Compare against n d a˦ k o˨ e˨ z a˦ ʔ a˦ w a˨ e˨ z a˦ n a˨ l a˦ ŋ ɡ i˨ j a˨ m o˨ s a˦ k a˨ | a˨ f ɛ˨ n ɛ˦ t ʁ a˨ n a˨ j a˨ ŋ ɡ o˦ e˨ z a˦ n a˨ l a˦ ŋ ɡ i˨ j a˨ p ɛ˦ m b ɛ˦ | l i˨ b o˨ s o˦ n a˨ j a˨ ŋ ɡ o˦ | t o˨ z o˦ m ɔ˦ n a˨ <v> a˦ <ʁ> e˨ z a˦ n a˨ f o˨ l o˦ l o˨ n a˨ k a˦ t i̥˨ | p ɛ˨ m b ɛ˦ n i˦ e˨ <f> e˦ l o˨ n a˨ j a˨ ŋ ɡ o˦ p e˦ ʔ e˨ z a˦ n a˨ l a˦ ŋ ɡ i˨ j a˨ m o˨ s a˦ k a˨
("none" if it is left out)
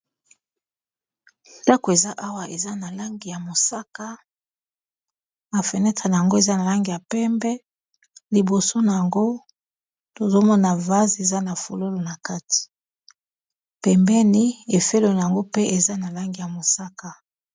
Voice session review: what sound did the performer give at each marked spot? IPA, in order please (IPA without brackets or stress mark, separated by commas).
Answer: v, z, f